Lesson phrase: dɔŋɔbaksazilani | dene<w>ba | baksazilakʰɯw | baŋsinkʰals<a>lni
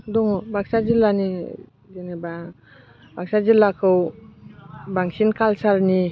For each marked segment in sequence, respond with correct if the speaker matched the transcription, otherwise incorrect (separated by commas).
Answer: incorrect, correct